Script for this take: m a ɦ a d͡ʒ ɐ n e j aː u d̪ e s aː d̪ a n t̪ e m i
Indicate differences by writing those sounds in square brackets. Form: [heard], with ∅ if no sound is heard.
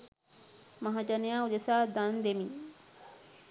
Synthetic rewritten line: m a ɦ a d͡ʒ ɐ n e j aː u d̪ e s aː d̪ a n [d̪] e m i